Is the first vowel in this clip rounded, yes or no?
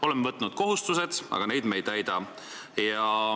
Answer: yes